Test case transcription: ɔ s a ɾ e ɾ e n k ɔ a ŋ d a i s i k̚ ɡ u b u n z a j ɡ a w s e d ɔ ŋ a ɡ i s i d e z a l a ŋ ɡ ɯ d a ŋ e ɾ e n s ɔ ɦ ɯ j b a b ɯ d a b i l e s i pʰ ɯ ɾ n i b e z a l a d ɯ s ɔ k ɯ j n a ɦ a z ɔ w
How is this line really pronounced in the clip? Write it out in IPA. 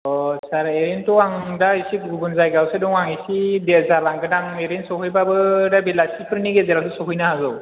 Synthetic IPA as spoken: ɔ s a ɾ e ɾ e n t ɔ a ŋ d a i s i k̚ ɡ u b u n z a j ɡ a w s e d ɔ ŋ a ŋ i s i d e z a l a ŋ ɡ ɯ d a ŋ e ɾ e n s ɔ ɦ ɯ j b a b ɯ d a b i l a s i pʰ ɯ ɾ n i ɡ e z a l a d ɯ s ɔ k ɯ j n a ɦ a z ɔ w